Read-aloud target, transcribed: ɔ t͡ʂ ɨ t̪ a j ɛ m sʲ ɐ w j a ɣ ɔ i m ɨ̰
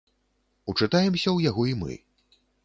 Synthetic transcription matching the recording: u t͡ʂ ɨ t̪ a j ɛ m sʲ ɐ w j a ɣ ɔ i m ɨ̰

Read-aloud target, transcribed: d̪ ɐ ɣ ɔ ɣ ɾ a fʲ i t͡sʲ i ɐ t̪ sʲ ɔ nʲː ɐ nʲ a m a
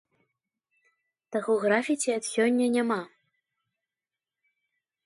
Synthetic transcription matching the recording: t̪ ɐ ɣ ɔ ɣ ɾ a fʲ i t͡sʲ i ɐ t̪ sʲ ɔ nʲː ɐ nʲ a m a

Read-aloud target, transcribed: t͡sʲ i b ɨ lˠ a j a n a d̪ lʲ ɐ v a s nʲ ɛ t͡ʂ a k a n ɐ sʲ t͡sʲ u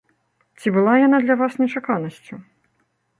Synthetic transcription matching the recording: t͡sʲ i b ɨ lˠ a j a n a d̪ lʲ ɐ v a s nʲ ɛ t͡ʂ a k a n ɐ sʲ t͡sʲ u

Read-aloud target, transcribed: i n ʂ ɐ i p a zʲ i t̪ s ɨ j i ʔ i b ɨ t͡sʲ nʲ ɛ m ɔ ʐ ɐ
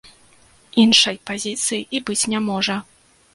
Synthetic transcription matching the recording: i n ʂ ɐ j p a zʲ i t̪ s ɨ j i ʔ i b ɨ t͡sʲ nʲ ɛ m ɔ ʐ ɐ

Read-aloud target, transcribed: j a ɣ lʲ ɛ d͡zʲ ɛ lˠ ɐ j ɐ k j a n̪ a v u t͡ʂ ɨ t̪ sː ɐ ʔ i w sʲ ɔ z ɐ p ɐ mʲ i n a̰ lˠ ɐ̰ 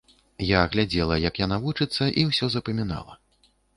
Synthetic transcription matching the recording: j a ɣ lʲ a d͡zʲ ɛ lˠ ɐ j ɐ k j a n̪ a v u t͡ʂ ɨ t̪ sː ɐ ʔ i w sʲ ɔ z ɐ p ɐ mʲ i n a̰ lˠ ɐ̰

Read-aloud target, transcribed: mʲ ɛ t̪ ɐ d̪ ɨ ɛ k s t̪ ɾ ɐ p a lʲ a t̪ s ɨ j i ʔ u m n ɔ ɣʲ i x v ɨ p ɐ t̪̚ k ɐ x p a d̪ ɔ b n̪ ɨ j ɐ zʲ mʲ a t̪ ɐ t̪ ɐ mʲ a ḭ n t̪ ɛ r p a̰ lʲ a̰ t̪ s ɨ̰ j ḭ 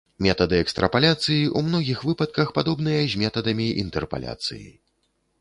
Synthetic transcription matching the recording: mʲ ɛ t̪ ɐ d̪ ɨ ɛ k s t̪ ɾ ɐ p a lʲ a t̪ s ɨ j i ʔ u m n ɔ ɣʲ i x v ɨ p ɐ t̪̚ k ɐ x p a d̪ ɔ b n̪ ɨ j ɐ zʲ mʲ ɛ t̪ ɐ d̪ ɐ mʲ i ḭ n t̪ ɛ r p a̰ lʲ a̰ t̪ s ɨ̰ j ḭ

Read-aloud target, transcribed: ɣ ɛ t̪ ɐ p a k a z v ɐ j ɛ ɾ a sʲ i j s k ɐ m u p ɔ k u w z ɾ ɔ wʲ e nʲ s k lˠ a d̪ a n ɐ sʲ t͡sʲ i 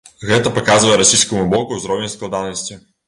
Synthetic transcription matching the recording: ɣ ɛ t̪ ɐ p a k a z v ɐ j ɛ ɾ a sʲ i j s k ɐ m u b ɔ k u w z ɾ ɔ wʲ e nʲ s k lˠ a d̪ a n ɐ sʲ t͡sʲ i

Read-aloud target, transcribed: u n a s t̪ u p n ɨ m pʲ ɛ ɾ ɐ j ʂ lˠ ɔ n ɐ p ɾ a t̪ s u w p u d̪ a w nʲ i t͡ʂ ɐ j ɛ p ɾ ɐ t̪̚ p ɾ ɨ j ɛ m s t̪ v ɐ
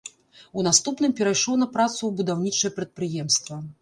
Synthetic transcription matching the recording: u n a s t̪ u p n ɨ m pʲ ɛ ɾ a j ʂ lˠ ɔ n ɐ p ɾ a t̪ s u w b u d̪ a w nʲ i t͡ʂ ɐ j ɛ p ɾ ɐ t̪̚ p ɾ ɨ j ɛ m s t̪ v ɐ

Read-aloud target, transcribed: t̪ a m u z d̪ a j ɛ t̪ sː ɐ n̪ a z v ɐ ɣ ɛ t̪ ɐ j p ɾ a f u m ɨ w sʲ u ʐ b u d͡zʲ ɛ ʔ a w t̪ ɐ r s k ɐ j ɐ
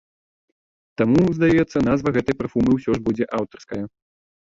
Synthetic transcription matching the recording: t̪ a m u z d̪ a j ɛ t̪ sː ɐ n̪ a z v ɐ ɣ ɛ t̪ ɐ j p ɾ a f u m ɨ w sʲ ɔ ʐ b u d͡zʲ ɛ ʔ a w t̪ ɐ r s k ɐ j ɐ

